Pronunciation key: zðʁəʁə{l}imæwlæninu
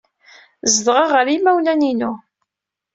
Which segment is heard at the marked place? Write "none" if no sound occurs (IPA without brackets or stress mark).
ɾ